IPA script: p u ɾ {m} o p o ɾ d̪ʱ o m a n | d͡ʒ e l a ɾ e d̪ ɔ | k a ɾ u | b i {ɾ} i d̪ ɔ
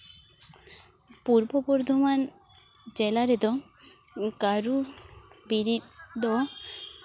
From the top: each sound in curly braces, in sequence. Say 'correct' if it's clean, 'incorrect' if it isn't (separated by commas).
incorrect, correct